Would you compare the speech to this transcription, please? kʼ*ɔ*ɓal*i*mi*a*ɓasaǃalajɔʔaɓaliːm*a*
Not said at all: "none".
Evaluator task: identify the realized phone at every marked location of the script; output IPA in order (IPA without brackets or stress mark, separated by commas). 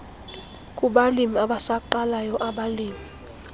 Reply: u, i, a, i